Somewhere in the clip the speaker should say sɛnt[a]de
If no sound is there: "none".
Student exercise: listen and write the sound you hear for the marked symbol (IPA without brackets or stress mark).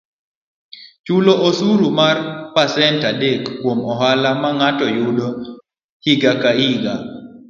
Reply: a